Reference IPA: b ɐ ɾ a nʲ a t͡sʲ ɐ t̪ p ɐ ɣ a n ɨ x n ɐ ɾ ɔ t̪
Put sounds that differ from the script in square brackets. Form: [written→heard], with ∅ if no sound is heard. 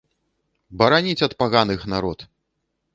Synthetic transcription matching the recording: b ɐ ɾ a nʲ [a→i] t͡sʲ ɐ t̪ p [ɐ→a] ɣ a n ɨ x n [ɐ→a] ɾ ɔ t̪

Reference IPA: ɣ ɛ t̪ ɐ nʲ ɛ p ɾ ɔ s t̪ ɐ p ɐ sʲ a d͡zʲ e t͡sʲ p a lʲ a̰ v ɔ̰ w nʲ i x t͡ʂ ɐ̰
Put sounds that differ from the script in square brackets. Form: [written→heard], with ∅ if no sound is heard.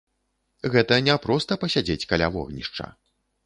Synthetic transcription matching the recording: ɣ ɛ t̪ ɐ nʲ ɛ p ɾ ɔ s t̪ ɐ p ɐ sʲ a d͡zʲ e t͡sʲ [p→k] a lʲ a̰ v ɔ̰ [w→ɣ] nʲ i [x→ʂ] t͡ʂ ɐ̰

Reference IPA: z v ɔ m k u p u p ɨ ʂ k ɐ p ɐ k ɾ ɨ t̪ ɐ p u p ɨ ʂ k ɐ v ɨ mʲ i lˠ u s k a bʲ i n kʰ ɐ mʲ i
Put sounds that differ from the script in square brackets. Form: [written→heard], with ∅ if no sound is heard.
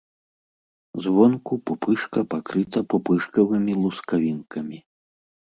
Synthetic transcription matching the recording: z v ɔ [m→n] k u p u p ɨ ʂ k ɐ p [ɐ→a] k ɾ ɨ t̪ ɐ p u p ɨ ʂ k ɐ v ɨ mʲ i lˠ u s k a [bʲ→vʲ] i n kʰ ɐ mʲ i

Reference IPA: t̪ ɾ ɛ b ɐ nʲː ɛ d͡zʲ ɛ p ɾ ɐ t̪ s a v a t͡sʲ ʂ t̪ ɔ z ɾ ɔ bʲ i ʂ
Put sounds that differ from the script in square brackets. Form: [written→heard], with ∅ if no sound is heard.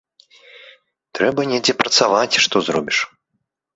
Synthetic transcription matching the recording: t̪ ɾ ɛ b ɐ [nʲː→nʲ] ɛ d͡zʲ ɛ p ɾ ɐ t̪ s a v a t͡sʲ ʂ t̪ ɔ z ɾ ɔ bʲ i ʂ

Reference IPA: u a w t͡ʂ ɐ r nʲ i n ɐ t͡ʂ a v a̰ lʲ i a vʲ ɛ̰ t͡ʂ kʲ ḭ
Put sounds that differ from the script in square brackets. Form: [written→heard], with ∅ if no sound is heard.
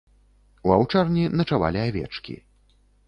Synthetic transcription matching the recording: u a w t͡ʂ [ɐ→a] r nʲ i n ɐ t͡ʂ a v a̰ lʲ i a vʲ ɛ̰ t͡ʂ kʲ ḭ

